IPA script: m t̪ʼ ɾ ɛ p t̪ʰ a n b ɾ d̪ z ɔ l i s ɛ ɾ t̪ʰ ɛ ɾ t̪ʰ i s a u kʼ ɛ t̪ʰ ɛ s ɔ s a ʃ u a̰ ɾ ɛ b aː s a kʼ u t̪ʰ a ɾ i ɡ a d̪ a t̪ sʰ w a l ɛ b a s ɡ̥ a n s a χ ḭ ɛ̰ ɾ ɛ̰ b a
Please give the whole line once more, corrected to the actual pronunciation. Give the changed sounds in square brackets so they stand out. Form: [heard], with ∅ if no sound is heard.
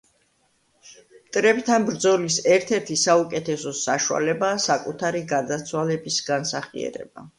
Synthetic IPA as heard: m t̪ʼ ɾ ɛ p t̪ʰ a n b ɾ d̪ z ɔ l i s ɛ ɾ t̪ʰ ɛ ɾ t̪ʰ i s a u kʼ ɛ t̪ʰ ɛ s ɔ s a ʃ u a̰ [l] ɛ b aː s a kʼ u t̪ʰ a ɾ i ɡ a d̪ a t̪ sʰ w a l ɛ b [i] s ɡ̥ a n s a χ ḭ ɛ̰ ɾ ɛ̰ b a